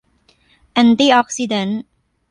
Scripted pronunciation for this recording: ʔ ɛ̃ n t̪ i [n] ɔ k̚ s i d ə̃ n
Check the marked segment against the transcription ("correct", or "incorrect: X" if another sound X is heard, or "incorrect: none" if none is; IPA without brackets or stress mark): incorrect: none